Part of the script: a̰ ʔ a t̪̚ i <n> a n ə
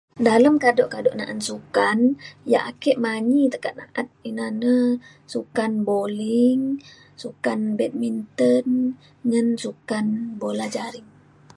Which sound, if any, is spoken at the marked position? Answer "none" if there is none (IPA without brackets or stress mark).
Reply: n